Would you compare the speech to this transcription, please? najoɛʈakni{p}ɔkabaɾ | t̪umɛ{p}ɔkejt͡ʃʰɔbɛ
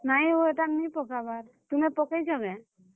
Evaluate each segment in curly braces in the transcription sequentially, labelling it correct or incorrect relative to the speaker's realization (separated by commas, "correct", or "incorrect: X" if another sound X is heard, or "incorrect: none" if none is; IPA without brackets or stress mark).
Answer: correct, correct